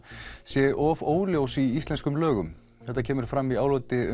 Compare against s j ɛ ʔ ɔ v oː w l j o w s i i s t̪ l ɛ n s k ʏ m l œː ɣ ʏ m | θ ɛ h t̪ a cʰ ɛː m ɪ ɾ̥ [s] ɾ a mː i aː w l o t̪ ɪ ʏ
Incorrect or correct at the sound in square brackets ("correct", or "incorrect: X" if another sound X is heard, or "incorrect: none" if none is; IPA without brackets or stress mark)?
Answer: incorrect: f